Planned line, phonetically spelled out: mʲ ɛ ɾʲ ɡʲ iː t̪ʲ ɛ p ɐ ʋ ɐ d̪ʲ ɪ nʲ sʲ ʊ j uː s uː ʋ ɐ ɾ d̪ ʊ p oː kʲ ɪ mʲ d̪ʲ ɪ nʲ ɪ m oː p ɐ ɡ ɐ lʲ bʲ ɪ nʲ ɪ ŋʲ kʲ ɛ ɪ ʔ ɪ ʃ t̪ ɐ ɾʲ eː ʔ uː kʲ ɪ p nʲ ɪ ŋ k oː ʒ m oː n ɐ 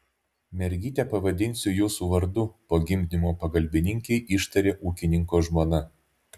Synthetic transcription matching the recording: mʲ ɛ ɾʲ ɡʲ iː t̪ʲ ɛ p ɐ ʋ ɐ d̪ʲ ɪ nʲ sʲ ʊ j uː s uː ʋ ɐ ɾ d̪ ʊ p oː ɡʲ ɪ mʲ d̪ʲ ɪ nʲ ɪ m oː p ɐ ɡ ɐ lʲ bʲ ɪ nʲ ɪ ŋʲ kʲ ɛ ɪ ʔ ɪ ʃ t̪ ɐ ɾʲ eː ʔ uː kʲ ɪ nʲ ɪ ŋ k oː ʒ m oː n ɐ